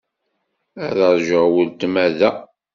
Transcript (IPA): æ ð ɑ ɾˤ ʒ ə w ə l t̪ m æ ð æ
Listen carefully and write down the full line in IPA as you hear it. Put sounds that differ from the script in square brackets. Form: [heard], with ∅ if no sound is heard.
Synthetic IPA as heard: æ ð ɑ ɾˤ ʒ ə w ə l t̪ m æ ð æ